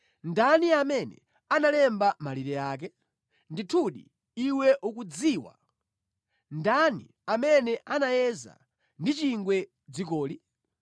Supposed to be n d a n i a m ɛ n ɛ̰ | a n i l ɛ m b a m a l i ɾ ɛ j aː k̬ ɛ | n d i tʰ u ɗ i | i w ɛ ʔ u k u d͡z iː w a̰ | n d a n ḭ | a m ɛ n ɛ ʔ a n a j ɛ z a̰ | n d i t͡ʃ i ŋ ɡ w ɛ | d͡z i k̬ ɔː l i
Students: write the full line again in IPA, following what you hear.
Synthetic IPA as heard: n d a n i a m ɛ n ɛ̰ | a n a l ɛ m b a m a l i ɾ ɛ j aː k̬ ɛ | n d i tʰ u ɗ i | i w ɛ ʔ u k u d͡z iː w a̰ | n d a n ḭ | a m ɛ n ɛ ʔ a n a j ɛ z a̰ | n d i t͡ʃ i ŋ ɡ w ɛ | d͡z i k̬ ɔː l i

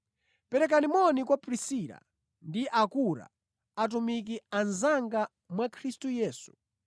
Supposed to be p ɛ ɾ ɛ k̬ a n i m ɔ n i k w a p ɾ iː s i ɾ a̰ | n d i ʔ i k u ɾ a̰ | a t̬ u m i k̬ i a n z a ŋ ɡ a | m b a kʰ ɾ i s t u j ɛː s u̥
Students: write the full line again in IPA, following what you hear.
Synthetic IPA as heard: p ɛ ɾ ɛ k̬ a n i m ɔ n i k w a p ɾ i s i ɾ a̰ | n d i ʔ a k u ɾ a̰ | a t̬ u m i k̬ i a n z a ŋ ɡ a | m w a kʰ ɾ i s t u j ɛː s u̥

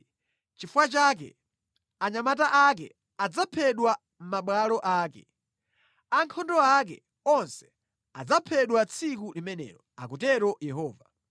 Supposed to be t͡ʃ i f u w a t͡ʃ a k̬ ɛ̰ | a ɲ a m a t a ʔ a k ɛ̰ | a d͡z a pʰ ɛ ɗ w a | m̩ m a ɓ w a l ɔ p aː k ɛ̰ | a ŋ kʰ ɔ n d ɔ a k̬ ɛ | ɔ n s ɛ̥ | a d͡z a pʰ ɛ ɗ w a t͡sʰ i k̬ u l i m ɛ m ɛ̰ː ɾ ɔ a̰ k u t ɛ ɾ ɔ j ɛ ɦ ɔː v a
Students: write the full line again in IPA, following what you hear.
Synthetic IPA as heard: t͡ʃ i f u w a t͡ʃ a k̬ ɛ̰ | a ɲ a m a t a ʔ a k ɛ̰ | a d͡z a pʰ ɛ ɗ w a | m̩ m a ɓ w a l ɔ ʔ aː k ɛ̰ | a ŋ kʰ ɔ n d ɔ a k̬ ɛ | ɔ n s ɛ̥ | a d͡z a pʰ ɛ ɗ w a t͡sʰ i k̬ u l i m ɛ n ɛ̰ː ɾ ɔ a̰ k u t ɛ ɾ ɔ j ɛ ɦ ɔː v a

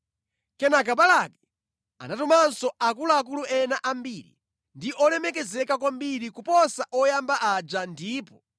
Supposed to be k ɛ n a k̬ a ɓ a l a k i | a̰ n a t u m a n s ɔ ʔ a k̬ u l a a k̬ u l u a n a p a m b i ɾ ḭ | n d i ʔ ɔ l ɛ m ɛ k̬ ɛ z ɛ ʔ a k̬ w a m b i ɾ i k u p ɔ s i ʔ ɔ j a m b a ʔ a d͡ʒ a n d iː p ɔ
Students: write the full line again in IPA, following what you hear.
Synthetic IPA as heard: k ɛ n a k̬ a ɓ a l a k ɛ | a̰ n a t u m a n s ɔ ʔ a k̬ u l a a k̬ u l u ɛ n a ʔ a m b i ɾ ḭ | n d i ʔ ɔ l ɛ m ɛ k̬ ɛ z ɛ k a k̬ w a m b i ɾ i k u p ɔ s a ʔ ɔ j a m b a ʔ a d͡ʒ a n d iː p ɔ

